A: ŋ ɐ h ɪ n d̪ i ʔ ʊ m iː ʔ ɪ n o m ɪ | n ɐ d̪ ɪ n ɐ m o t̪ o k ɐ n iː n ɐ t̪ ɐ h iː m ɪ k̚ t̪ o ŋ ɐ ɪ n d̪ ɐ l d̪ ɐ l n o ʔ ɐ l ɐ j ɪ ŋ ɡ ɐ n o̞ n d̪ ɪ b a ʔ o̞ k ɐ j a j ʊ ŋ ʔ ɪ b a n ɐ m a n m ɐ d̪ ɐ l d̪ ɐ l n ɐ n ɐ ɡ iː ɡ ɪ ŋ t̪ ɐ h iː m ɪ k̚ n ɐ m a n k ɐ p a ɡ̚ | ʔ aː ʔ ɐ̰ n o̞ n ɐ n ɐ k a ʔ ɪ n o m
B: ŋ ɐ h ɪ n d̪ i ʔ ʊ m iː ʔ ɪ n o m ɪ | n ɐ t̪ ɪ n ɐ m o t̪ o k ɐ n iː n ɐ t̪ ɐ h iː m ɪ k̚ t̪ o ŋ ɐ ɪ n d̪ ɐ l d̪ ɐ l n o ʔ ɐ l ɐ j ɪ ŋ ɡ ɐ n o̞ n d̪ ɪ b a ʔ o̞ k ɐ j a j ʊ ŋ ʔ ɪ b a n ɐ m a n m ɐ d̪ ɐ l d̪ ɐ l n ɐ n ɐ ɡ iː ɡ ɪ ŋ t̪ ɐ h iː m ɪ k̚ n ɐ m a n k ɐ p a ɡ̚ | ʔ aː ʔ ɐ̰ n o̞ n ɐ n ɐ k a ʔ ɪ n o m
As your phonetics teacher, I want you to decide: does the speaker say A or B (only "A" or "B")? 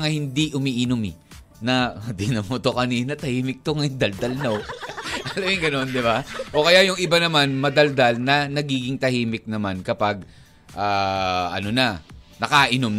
A